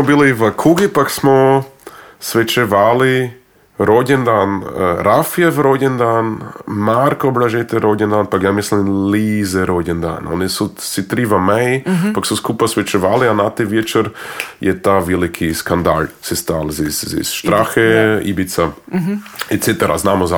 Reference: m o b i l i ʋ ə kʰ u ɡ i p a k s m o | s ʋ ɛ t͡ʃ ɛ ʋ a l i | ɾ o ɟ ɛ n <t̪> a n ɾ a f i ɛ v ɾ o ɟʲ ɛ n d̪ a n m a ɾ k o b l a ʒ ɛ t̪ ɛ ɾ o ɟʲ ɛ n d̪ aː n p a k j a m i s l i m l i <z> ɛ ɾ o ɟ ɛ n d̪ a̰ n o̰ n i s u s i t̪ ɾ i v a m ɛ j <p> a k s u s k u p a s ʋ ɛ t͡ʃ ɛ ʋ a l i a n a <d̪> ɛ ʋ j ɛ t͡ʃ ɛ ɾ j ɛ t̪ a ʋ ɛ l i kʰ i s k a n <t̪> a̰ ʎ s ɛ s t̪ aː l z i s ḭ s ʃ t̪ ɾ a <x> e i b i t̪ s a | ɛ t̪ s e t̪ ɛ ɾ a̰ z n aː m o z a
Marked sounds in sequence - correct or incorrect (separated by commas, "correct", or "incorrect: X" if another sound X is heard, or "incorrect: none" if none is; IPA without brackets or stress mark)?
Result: incorrect: d̪, correct, correct, incorrect: t̪, incorrect: d̪, correct